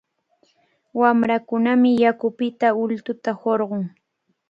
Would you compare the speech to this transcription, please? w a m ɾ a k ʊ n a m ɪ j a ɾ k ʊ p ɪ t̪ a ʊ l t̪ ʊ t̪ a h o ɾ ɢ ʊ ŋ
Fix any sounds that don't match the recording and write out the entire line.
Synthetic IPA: w a m ɾ a k ʊ n a m ɪ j a k ʊ p ɪ t̪ a ʊ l t̪ ʊ t̪ a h o ɾ ɢ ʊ ŋ

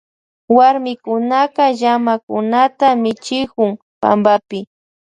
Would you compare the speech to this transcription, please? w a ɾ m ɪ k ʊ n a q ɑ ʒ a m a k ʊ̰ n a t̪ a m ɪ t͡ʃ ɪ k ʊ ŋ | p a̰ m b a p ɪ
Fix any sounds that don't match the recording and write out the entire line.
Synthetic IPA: w a ɾ m ɪ k ʊ n a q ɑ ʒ a m a k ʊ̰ n a t̪ a m ɪ t͡ʃ ɪ k ʊ ŋ | p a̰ m b a p ɪ

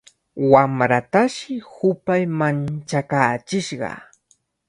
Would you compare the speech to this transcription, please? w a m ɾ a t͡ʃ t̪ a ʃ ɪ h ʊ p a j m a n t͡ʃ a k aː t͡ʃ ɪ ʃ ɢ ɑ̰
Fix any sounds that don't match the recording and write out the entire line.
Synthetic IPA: w a m ɾ a t̪ a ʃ ɪ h ʊ p a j m a n t͡ʃ a k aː t͡ʃ ɪ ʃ ɢ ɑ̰

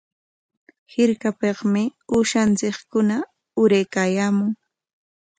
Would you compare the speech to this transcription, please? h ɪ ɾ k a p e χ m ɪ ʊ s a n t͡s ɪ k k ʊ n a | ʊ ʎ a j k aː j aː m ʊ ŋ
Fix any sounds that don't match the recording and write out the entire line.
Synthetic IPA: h ɪ ɾ k a p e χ m ɪ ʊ ʃ a n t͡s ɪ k k ʊ n a | ʊ ɾ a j k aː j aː m ʊ ŋ

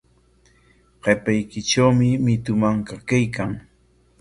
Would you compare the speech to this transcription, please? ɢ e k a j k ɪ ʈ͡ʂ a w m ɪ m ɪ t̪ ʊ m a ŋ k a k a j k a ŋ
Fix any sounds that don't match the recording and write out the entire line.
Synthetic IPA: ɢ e p a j k ɪ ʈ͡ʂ a w m ɪ m ɪ t̪ ʊ m a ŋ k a k a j k a ŋ

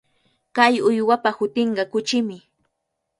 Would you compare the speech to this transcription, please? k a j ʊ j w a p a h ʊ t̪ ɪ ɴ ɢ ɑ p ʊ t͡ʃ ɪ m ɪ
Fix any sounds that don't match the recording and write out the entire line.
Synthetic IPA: k a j ʊ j w a p a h ʊ t̪ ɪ ɴ ɢ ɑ k ʊ t͡ʃ ɪ m ɪ

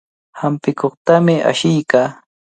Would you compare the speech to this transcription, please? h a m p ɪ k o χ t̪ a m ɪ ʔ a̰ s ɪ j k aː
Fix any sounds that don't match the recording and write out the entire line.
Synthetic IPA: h a m p ɪ k o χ t̪ a m ɪ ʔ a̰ ʃ ɪ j k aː

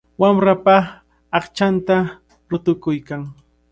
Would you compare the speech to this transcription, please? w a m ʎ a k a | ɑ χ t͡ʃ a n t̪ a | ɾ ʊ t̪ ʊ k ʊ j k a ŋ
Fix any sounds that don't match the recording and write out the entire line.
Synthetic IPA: w a m ɾ a p a | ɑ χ t͡ʃ a n t̪ a | ɾ ʊ t̪ ʊ k ʊ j k a ŋ

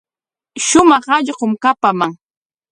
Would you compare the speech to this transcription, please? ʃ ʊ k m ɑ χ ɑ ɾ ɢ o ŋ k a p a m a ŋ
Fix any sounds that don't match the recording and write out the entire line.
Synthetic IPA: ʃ ʊ m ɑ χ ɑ ʎ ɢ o m k a p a m a ŋ

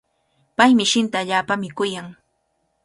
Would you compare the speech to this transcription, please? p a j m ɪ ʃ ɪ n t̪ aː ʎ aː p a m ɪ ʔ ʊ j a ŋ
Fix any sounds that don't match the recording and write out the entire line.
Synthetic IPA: p a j m ɪ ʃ ɪ n t̪ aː ʎ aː p a m ɪ k ʊ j a ŋ

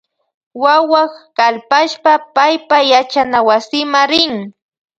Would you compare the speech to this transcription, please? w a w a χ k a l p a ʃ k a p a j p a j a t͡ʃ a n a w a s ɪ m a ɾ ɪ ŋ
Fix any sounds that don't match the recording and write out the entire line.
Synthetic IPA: w a w a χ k a l p a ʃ p a p a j p a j a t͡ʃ a n a w a s ɪ m a ɾ ɪ ŋ

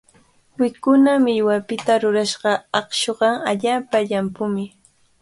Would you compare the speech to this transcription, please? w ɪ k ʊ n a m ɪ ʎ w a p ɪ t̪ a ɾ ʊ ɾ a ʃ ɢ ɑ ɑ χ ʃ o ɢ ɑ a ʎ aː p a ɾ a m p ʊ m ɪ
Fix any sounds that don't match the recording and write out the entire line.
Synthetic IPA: w ɪ k ʊ n a m ɪ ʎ w a p ɪ t̪ a ɾ ʊ ɾ a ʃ ɢ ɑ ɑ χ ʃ o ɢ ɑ a ʎ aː p a ʎ a m p ʊ m ɪ

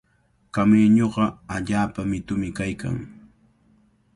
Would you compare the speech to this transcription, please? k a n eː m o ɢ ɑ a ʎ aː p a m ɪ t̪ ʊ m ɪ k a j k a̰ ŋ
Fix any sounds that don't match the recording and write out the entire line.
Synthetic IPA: k a m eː ɲ o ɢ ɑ a ʎ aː p a m ɪ t̪ ʊ m ɪ k a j k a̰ ŋ

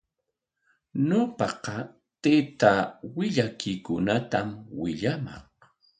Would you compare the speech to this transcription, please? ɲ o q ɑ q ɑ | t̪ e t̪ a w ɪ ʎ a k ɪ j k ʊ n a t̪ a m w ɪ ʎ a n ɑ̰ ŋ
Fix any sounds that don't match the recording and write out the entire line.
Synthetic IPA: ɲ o p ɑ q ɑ | t̪ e t̪ a w ɪ ʎ a k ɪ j k ʊ n a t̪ a m w ɪ ʎ a m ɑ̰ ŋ

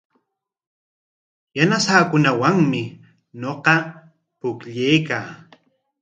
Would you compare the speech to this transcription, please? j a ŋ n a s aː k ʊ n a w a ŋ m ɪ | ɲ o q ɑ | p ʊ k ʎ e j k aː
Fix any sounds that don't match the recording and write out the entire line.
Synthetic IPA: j a n a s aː k ʊ n a w a ŋ m ɪ | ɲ o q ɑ | p ʊ k ʎ e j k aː

